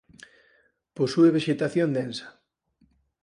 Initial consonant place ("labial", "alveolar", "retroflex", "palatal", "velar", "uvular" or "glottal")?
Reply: labial